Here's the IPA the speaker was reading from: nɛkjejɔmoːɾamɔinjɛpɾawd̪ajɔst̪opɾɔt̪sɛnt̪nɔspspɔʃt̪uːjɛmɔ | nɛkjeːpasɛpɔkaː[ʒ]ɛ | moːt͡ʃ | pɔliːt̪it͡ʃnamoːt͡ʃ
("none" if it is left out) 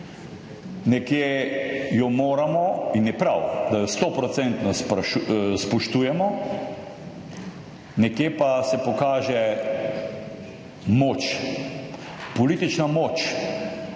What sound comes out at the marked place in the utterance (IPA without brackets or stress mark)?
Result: ʒ